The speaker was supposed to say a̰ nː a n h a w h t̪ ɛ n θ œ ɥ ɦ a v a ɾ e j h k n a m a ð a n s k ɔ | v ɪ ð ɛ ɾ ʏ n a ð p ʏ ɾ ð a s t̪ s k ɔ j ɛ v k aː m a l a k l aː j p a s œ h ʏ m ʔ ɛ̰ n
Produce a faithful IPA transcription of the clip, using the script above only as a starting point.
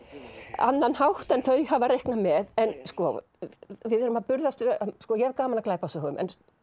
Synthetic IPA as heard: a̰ nː a n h a w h t̪ ɛ n θ œ ɥ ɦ a v a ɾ e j h k n a m ɛ ð ɛ n s k ɔ | v ɪ ð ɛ ɾ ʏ m a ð p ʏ ɾ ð a s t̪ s k ɔ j ɛ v k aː m a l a k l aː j p a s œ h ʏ m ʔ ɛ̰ n